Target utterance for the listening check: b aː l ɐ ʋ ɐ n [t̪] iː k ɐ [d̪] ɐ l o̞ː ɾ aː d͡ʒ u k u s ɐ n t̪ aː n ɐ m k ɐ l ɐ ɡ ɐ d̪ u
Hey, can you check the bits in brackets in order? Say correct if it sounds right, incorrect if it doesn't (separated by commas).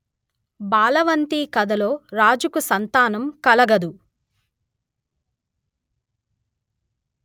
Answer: correct, correct